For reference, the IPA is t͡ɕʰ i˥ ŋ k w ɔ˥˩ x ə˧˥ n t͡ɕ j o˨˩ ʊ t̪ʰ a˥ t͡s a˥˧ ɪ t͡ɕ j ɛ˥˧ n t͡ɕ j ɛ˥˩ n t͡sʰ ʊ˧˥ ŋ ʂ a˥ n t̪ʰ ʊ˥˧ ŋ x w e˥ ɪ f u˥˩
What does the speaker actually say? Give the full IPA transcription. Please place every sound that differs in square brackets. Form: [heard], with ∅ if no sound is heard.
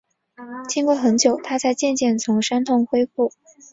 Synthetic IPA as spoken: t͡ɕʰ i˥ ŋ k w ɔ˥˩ x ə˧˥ n t͡ɕ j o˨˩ ʊ t̪ʰ a˥ t͡s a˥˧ ɪ t͡ɕ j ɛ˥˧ n t͡ɕ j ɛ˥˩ n t͡sʰ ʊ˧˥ ŋ ʂ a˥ n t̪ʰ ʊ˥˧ ŋ x w e˥ ɪ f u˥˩